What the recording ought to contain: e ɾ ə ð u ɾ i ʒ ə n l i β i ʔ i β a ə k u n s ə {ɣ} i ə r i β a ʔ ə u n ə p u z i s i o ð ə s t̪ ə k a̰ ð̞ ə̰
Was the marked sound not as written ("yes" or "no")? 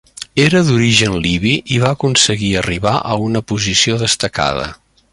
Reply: no